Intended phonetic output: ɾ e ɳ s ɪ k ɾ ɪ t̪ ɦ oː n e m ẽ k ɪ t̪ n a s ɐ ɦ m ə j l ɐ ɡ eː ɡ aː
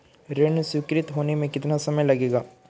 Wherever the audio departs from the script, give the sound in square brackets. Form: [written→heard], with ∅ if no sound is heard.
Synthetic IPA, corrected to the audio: ɾ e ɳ s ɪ k ɾ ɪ t̪ ɦ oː n e m ẽ k ɪ t̪ n a s ɐ [ɦ→∅] m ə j l ɐ ɡ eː ɡ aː